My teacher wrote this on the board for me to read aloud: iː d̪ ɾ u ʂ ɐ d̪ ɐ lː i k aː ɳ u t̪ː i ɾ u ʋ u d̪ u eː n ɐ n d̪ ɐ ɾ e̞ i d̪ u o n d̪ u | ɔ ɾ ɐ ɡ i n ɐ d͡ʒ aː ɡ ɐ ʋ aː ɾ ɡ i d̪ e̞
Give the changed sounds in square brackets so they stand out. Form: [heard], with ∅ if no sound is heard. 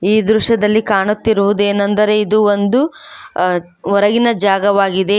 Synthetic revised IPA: iː d̪ ɾ u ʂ ɐ d̪ ɐ lː i k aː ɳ u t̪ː i ɾ u ʋ u d̪ u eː n ɐ n d̪ ɐ ɾ e̞ i d̪ u o n d̪ u | ɔ ɾ ɐ ɡ i n ɐ d͡ʒ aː ɡ ɐ ʋ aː [∅] ɡ i d̪ e̞